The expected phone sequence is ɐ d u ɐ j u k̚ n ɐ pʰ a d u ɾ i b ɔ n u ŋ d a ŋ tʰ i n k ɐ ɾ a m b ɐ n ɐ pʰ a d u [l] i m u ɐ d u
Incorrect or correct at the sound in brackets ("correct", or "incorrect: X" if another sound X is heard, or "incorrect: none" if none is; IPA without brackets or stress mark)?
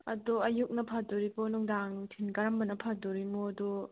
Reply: incorrect: ɾ